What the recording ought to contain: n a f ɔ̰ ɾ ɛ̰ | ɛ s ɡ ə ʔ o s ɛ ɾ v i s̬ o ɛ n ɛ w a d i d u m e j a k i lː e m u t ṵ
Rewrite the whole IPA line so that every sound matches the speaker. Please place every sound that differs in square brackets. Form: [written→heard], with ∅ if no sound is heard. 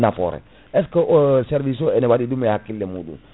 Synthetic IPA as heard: n a f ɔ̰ ɾ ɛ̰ | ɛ s [ɡ→k] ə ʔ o s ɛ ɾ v i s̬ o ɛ n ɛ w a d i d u m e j a k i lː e m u [t→d] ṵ

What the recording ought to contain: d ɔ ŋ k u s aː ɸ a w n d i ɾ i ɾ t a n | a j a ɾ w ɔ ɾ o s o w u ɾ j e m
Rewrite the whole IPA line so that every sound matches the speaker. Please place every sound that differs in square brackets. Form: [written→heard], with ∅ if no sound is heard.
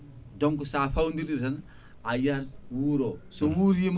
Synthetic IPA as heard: d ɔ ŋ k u s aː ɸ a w n d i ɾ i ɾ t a n | a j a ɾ w [ɔ→u] ɾ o s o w u ɾ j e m

